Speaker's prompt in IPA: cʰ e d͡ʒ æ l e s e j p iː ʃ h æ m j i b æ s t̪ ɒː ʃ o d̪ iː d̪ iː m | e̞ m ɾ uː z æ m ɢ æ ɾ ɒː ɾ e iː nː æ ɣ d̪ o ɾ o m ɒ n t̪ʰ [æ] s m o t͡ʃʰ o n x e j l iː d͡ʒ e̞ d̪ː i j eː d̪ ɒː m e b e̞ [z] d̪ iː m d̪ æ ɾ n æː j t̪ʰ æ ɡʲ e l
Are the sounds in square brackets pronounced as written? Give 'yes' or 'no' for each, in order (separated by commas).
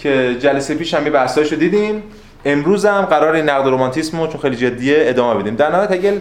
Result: no, no